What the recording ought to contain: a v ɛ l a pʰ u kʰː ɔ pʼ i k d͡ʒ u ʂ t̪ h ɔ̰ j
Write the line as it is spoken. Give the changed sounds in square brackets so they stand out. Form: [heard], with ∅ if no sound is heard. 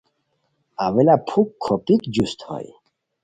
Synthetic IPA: a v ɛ l a pʰ u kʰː ɔ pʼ i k d͡ʒ u [s] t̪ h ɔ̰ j